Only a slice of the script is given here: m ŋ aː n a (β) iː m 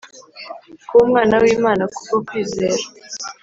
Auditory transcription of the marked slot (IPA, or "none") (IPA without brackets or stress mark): w